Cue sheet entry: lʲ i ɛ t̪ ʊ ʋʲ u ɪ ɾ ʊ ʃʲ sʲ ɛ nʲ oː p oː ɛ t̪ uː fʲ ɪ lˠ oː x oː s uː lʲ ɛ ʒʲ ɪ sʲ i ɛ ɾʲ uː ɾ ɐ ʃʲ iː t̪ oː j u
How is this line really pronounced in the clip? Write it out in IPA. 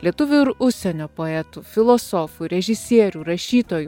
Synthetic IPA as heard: lʲ i ɛ t̪ ʊ ʋʲ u ɪ ɾ ʊ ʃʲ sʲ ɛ nʲ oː p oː ɛ t̪ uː fʲ ɪ lˠ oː s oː f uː ɾʲ ɛ ʒʲ ɪ sʲ i ɛ ɾʲ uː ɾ ɐ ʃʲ iː t̪ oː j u